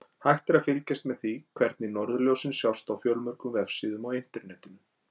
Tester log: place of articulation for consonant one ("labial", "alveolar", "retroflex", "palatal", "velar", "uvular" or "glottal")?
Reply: glottal